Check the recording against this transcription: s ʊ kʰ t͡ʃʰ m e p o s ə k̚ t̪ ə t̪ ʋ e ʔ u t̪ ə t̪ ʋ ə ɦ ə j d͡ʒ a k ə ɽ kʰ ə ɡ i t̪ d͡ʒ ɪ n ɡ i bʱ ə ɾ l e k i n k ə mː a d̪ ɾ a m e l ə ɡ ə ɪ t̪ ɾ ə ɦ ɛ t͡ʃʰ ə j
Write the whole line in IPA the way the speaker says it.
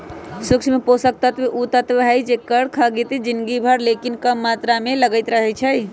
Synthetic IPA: s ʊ k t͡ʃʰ m e p o s ə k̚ t̪ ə t̪ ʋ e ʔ u t̪ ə t̪ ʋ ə ɦ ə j d͡ʒ e k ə ɽ kʰ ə ɡ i t̪ d͡ʒ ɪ n ɡ i bʱ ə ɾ l e k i n k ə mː a t̪ ɾ a m e l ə ɡ ə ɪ t̪ ɾ ə ɦ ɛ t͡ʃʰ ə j